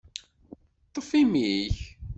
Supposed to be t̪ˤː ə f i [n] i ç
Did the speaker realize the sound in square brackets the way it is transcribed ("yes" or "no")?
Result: no